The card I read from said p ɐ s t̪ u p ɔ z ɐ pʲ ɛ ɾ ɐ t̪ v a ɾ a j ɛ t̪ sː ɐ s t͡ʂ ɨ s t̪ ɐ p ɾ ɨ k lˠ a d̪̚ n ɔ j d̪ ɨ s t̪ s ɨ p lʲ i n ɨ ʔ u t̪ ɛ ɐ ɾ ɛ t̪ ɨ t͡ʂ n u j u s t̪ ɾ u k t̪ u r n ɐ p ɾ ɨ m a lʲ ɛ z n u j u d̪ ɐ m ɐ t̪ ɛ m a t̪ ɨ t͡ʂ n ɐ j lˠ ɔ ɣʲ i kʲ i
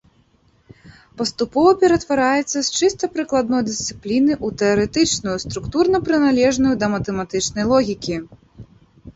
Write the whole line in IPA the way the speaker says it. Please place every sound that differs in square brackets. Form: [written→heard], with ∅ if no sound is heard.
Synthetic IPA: p ɐ s t̪ u p ɔ [z→v] ɐ pʲ ɛ ɾ ɐ t̪ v a ɾ a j ɛ t̪ sː ɐ s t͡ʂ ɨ s t̪ ɐ p ɾ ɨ k lˠ a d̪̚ n ɔ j d̪ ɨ s t̪ s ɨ p lʲ i n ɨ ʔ u t̪ ɛ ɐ ɾ ɛ t̪ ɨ t͡ʂ n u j u s t̪ ɾ u k t̪ u r n ɐ p ɾ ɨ [m→n] a lʲ ɛ [z→ʐ] n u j u d̪ ɐ m ɐ t̪ ɛ m a t̪ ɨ t͡ʂ n ɐ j lˠ ɔ ɣʲ i kʲ i